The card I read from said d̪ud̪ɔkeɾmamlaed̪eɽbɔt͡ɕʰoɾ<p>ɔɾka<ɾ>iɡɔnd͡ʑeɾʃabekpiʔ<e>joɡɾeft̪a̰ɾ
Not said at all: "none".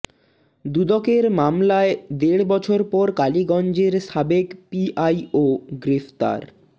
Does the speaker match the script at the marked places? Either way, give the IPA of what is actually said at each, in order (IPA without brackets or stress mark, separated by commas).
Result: p, l, a